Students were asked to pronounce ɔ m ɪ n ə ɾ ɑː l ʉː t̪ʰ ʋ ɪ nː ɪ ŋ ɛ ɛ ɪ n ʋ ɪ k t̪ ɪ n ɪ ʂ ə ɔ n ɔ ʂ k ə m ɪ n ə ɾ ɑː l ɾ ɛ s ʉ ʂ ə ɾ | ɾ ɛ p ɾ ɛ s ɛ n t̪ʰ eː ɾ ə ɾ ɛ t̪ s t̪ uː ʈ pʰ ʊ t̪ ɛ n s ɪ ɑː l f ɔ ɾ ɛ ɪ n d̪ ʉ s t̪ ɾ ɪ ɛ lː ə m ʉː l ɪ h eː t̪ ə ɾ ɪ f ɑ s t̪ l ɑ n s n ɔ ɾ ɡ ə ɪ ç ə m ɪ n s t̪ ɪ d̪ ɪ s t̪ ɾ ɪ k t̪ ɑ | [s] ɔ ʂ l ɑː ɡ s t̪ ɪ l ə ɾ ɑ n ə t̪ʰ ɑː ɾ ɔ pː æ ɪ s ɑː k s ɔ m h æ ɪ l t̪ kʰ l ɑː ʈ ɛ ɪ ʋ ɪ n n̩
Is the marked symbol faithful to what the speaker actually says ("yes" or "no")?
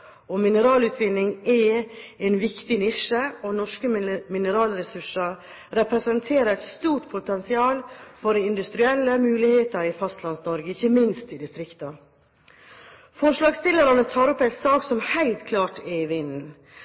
no